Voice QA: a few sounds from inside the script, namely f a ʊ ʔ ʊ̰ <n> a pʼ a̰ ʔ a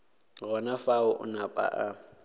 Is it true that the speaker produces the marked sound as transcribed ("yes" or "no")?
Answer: yes